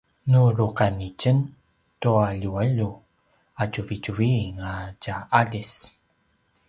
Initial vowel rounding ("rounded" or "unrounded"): rounded